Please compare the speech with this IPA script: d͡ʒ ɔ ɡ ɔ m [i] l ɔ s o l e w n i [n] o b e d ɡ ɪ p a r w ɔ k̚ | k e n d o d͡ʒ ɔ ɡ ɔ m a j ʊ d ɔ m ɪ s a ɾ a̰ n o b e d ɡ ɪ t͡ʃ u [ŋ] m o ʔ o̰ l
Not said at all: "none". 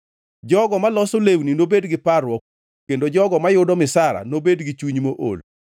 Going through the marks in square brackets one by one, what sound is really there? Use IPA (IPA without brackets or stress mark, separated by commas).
a, n, ɲ